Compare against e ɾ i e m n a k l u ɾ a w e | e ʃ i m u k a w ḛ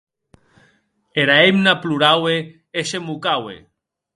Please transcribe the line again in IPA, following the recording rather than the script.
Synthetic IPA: e ɾ a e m n a p l u ɾ a w e | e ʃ e m u k a w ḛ

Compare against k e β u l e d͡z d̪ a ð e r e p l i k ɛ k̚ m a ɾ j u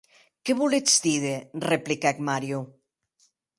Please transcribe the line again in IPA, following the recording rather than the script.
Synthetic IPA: k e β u l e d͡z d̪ i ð e r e p l i k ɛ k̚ m a ɾ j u

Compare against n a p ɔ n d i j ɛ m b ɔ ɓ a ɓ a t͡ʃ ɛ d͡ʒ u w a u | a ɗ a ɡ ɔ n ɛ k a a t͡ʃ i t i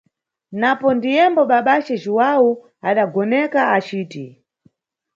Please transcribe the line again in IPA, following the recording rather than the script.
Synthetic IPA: n a p ɔ n d i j ɛ m b ɔ ɓ a ɓ a t͡ʃ ɛ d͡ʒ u w a u | a ɗ a ɡ ɔ n ɛ k a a t͡ʃ iː t i

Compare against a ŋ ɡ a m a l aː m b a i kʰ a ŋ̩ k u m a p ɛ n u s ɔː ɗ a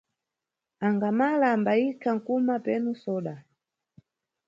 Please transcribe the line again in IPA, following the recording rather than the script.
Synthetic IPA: a ŋ ɡ a m a l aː m b a i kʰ a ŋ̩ k u m a p ɛ n u s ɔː ɗ a

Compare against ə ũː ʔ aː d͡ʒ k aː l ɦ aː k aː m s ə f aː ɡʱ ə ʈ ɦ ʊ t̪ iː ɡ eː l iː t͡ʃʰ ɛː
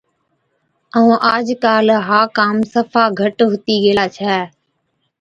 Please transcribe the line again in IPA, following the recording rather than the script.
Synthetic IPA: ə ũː ʔ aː d͡ʒ k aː l ɦ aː k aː m s ə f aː ɡʱ ə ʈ ɦ ʊ t̪ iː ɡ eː l aː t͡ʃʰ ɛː

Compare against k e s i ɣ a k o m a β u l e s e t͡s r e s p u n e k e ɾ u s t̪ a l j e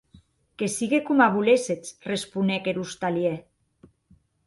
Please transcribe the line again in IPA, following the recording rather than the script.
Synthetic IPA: k e s i ɣ e k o m a β u l e s e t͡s r e s p u n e k e ɾ u s t̪ a l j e

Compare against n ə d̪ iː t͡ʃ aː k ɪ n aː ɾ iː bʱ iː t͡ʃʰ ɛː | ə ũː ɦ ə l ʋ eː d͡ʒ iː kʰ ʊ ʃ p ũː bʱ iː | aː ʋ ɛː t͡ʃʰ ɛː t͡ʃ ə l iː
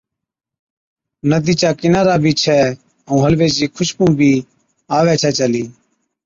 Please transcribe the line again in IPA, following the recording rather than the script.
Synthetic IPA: n ə d̪ iː t͡ʃ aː k ɪ n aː ɾ aː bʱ iː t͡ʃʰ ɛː | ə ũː ɦ ə l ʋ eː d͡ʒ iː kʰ ʊ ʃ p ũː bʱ iː | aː ʋ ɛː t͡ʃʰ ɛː t͡ʃ ə l iː

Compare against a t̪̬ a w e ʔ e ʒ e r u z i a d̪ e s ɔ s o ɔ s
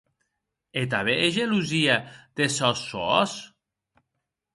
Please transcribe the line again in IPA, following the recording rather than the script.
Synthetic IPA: e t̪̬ a β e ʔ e ʒ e l u z i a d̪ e s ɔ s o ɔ s

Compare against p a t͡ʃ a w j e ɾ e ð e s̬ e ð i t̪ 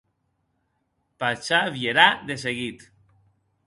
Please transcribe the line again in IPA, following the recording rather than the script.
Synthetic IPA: p a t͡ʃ a β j e ɾ a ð e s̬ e ɣ i t̪

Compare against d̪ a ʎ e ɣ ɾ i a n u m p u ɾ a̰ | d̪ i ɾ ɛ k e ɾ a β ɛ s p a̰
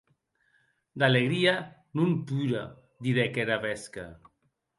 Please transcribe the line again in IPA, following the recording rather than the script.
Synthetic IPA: d̪ a l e ɣ ɾ i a n u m p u ɾ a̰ | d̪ i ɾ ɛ k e ɾ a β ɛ s k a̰

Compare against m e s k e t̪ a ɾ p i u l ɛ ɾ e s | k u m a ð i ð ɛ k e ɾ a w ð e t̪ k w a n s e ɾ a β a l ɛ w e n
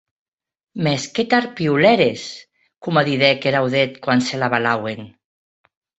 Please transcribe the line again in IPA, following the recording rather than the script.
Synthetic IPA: m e s k e t̪ a ɾ p i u l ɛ ɾ e s | k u m a ð i ð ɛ k e ɾ a w ð e t̪ k w a n s e l a β a l a w e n

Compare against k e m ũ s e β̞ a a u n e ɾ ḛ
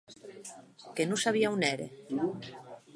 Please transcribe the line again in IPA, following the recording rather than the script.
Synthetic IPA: k e n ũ s a β̞ i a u n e ɾ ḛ

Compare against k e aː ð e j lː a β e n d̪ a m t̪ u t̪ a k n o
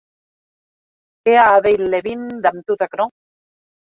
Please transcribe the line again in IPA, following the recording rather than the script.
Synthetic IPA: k e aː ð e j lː e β i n d̪ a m t̪ u t̪ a k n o

